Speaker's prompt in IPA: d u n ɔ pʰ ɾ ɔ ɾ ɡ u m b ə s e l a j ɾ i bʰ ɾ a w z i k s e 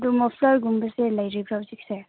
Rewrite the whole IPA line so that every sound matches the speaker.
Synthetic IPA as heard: d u m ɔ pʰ l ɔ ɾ ɡ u m b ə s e l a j ɾ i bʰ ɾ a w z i k s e